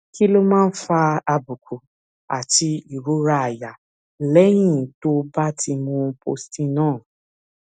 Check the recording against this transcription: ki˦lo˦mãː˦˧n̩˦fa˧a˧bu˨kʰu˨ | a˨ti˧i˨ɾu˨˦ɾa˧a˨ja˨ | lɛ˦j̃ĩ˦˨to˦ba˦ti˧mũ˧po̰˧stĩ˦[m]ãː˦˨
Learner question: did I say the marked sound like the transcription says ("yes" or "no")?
no